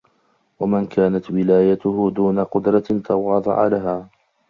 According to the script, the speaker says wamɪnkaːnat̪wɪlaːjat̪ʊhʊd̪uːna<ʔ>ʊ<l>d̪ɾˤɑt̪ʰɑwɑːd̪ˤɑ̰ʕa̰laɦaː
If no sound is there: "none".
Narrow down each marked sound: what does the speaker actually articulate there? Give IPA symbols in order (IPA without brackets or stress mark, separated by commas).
q, none